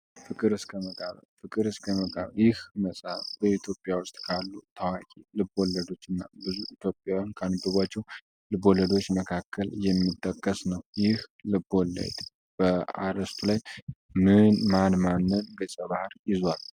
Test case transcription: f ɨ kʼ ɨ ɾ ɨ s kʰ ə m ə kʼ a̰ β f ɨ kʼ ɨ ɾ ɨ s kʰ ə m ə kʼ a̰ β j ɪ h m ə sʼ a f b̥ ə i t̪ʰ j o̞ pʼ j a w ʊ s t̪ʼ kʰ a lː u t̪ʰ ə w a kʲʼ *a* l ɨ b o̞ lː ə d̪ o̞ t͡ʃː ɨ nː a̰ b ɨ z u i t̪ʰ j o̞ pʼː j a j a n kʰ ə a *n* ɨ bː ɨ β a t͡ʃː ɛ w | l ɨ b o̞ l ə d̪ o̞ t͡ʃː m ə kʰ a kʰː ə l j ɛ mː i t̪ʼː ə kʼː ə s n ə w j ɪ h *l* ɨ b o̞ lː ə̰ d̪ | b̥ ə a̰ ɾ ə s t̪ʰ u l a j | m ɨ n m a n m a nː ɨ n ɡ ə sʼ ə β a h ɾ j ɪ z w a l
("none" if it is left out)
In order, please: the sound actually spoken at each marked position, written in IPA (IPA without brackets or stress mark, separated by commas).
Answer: i, n, l